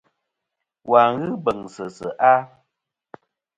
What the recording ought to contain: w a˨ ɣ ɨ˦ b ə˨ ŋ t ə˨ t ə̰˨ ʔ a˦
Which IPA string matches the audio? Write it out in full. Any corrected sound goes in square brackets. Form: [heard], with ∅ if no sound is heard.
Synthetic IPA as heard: w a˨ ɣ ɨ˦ b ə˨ ŋ [s] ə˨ [s] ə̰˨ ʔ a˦